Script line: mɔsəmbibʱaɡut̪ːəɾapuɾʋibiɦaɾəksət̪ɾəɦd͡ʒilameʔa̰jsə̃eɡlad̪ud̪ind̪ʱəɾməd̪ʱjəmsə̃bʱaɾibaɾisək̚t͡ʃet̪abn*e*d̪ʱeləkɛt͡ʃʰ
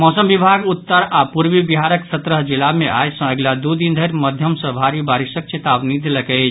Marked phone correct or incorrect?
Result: incorrect